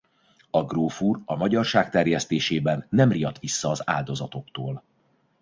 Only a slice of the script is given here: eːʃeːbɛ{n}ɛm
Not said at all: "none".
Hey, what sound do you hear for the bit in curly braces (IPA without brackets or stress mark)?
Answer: nː